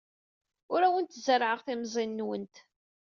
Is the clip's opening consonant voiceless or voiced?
voiced